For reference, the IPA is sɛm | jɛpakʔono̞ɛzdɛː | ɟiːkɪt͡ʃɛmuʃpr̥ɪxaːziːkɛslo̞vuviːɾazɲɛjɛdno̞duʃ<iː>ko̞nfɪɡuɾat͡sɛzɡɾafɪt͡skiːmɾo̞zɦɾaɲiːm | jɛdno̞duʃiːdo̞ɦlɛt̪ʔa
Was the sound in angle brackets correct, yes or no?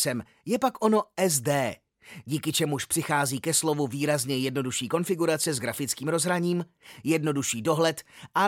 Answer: yes